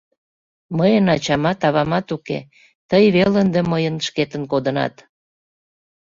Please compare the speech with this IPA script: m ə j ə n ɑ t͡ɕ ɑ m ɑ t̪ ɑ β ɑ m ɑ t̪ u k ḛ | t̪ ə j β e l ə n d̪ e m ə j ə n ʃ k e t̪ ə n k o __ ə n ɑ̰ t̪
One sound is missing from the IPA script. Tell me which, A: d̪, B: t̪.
A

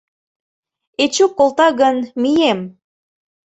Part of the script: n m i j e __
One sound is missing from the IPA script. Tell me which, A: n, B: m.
B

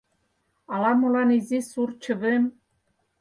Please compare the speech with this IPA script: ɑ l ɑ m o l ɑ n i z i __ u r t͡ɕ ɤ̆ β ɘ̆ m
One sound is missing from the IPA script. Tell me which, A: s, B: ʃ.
A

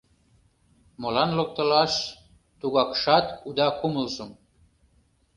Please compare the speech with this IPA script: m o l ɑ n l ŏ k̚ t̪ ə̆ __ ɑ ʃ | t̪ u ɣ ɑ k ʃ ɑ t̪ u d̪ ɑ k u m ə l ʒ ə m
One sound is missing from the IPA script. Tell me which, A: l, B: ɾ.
A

